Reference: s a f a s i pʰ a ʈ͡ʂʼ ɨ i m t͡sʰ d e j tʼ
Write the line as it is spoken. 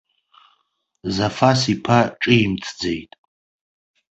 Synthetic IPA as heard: z a f a s i pʰ a ʈ͡ʂʼ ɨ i m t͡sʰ d͡z e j tʼ

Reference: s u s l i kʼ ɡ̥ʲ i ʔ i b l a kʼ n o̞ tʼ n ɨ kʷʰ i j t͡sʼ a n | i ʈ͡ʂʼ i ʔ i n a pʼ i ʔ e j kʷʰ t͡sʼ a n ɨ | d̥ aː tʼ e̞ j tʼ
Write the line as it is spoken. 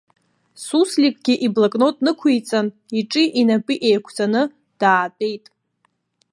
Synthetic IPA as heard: s u s l i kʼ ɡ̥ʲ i ʔ i b l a kʼ n o̞ tʼ n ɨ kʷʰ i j t͡sʼ a n | i ʈ͡ʂʼ i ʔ i n a pʼ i ʔ e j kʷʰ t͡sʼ a n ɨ | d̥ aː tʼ e̞ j tʼ

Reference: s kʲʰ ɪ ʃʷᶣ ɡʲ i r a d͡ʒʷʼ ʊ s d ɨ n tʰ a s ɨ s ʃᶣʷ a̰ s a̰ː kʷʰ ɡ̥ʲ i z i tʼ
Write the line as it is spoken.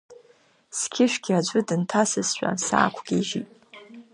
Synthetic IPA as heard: s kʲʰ ɪ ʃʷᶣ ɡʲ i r a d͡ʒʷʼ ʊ d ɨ n tʰ a s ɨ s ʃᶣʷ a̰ s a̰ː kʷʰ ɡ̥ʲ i ʒ i tʼ

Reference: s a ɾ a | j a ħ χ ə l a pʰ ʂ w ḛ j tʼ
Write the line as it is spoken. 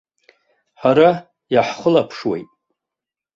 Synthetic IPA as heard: ħ a ɾ a | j a ħ χ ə l a pʰ ʂ w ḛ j tʼ

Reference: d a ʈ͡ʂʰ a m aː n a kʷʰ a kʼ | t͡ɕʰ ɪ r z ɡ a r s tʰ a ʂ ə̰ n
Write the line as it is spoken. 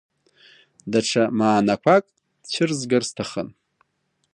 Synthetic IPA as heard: d a ʈ͡ʂʰ a m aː n a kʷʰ a kʼ | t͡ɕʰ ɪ r z ɡ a r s tʰ a χ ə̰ n

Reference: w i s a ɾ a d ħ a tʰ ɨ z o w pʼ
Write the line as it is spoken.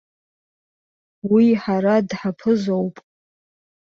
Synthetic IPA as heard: w i ħ a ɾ a d ħ a pʰ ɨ z o w pʼ

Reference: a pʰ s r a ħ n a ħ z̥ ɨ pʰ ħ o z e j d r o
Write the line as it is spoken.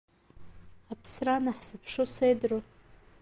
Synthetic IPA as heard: a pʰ s r a n a ħ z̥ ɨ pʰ ʂ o s e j d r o

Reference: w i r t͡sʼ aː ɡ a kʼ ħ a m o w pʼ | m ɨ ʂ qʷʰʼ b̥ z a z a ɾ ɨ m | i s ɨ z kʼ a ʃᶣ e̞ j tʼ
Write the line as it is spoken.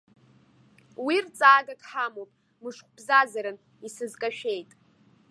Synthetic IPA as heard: w i r t͡sʼ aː ɡ a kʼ ħ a m o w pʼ | m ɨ ʂ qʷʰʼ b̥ z a z a ɾ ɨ n | i s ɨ z kʼ a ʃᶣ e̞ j tʼ

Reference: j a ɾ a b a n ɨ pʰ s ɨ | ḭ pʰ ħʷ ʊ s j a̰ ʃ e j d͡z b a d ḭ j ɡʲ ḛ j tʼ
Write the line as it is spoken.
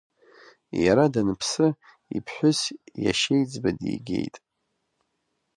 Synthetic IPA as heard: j a ɾ a d a n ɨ pʰ s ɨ | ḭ pʰ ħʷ ʊ s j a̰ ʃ e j d͡z b a d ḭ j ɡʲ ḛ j tʼ

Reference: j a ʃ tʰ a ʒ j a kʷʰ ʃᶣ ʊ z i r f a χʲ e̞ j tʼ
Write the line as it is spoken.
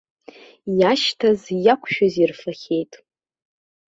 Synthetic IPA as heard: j a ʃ tʰ a z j a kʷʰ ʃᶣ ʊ z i r f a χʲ e̞ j tʼ

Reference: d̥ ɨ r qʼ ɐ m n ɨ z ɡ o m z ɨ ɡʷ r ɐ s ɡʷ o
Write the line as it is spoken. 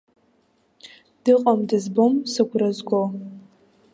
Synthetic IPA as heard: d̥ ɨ qʼ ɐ m d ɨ z b o m s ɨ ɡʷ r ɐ z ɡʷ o

